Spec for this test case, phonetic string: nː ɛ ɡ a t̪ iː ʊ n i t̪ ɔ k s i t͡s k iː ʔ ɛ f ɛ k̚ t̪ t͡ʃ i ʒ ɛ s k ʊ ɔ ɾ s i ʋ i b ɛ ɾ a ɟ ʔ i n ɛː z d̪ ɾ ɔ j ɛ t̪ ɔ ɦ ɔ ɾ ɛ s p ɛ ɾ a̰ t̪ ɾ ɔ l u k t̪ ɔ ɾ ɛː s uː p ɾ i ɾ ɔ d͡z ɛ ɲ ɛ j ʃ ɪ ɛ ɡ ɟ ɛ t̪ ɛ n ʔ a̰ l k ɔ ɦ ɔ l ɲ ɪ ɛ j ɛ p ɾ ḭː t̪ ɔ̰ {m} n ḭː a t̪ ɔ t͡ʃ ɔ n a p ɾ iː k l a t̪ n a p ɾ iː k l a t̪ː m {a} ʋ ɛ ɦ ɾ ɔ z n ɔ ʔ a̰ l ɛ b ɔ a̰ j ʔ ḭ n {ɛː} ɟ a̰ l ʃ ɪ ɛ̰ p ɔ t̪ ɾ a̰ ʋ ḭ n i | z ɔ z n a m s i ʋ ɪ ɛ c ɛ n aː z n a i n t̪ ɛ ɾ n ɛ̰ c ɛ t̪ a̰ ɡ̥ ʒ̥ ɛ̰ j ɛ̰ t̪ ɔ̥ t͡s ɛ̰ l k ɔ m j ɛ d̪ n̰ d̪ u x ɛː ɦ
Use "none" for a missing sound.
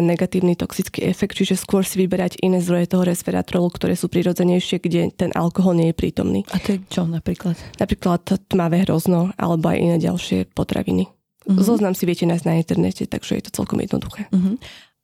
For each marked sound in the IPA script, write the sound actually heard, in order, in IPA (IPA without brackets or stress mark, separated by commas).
m, a, ɛː